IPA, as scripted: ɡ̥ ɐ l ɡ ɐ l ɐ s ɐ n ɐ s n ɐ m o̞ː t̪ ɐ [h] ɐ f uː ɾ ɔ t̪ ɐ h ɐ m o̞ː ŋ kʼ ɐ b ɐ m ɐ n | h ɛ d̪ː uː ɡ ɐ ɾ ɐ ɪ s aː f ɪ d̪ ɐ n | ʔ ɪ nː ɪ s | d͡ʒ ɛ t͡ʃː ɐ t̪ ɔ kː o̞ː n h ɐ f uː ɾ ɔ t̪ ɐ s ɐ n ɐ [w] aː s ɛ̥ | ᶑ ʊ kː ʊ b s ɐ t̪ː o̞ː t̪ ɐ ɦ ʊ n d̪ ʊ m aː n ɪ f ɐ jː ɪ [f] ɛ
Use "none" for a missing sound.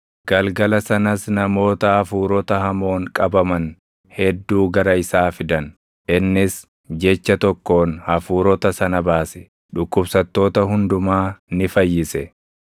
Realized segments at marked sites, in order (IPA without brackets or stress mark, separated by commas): h, b, s